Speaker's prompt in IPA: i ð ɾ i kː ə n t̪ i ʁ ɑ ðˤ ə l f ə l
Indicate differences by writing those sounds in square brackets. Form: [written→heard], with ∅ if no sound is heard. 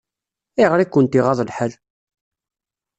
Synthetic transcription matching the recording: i [ð→ʁ] ɾ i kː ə n t̪ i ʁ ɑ ðˤ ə l [f→ħ] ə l